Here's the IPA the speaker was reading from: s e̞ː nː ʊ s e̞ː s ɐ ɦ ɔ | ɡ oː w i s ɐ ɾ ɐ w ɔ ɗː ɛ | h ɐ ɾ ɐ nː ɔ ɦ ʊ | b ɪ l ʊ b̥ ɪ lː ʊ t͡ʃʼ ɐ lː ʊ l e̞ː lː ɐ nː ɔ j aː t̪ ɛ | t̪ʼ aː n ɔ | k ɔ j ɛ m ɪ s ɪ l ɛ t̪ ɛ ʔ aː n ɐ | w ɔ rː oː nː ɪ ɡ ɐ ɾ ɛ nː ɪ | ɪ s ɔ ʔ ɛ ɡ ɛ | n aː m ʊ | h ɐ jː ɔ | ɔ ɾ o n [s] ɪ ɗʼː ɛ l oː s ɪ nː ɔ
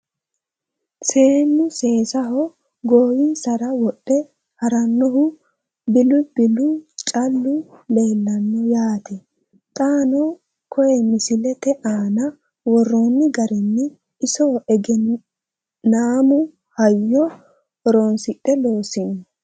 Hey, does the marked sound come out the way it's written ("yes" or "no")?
yes